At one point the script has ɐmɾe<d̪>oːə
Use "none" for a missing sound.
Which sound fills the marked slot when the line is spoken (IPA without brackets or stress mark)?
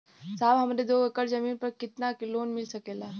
d̪